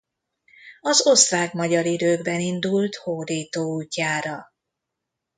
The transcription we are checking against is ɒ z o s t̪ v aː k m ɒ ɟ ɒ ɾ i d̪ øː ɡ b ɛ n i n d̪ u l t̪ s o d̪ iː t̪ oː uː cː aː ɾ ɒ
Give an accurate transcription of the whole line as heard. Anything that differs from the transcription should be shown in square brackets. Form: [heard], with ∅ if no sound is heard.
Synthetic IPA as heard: ɒ z o s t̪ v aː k m ɒ ɟ ɒ ɾ i d̪ øː ɡ b ɛ n i n d̪ u l t̪ [h] o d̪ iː t̪ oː uː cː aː ɾ ɒ